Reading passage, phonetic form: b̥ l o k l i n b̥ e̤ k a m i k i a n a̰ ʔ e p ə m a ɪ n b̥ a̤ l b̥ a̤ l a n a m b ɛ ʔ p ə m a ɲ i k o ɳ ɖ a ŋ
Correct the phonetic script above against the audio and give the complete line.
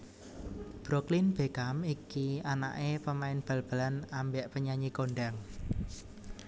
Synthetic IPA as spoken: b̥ ɾ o k l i n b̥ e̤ k a m i k i a n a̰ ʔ e p ə m a ɪ n b̥ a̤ l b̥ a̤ l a n a m b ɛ ʔ p ə ɲ a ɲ i k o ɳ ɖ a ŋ